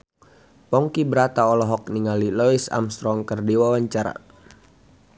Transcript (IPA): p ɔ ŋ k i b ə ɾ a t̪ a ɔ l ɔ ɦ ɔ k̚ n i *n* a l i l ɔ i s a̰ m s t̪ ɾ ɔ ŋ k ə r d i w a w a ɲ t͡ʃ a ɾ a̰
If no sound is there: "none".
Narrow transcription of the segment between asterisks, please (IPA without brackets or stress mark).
ŋ